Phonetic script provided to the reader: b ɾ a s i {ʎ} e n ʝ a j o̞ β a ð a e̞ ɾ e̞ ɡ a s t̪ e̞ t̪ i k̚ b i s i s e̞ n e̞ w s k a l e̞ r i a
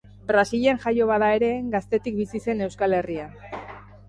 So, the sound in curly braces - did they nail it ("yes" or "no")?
yes